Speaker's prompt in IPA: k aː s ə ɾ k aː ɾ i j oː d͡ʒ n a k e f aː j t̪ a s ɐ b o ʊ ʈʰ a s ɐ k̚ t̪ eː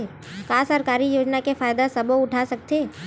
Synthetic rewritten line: k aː s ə ɾ k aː ɾ i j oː d͡ʒ n a k e f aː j d̪ a s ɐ b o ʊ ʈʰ a s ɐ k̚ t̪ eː